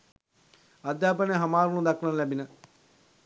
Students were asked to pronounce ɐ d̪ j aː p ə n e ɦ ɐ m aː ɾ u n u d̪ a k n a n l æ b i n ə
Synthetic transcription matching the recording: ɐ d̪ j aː p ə n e ɦ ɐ m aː ɾ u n u d̪ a k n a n l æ b i n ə